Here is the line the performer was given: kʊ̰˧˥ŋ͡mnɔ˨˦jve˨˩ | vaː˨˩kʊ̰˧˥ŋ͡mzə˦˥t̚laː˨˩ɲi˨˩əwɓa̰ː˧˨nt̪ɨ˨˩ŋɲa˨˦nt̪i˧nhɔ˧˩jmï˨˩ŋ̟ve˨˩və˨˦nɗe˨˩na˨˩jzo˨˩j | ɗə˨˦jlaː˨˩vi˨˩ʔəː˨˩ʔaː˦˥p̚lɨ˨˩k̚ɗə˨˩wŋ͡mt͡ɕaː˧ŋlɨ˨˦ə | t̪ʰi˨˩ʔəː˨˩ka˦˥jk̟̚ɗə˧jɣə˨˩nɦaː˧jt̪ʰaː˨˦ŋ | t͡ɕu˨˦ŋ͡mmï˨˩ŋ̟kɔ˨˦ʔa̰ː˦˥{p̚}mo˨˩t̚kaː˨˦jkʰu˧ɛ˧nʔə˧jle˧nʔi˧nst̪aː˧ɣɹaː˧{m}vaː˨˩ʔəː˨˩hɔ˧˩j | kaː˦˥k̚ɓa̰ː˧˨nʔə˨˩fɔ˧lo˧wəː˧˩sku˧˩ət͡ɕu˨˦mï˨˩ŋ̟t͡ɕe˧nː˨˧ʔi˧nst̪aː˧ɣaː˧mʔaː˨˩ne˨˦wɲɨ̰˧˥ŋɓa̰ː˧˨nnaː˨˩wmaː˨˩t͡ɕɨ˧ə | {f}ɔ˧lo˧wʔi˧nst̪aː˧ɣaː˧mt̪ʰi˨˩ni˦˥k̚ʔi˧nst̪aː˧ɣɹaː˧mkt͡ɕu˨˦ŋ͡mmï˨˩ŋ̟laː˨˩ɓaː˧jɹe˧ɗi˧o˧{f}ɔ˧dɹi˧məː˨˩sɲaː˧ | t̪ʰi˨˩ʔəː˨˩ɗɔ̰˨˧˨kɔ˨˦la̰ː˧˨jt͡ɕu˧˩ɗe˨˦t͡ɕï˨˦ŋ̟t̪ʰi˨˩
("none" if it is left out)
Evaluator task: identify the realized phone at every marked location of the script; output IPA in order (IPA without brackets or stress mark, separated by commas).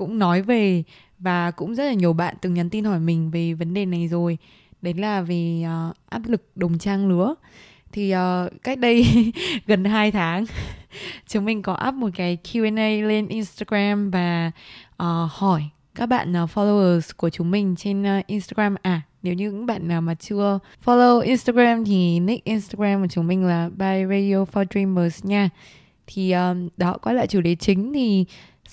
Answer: p̚, m, f, f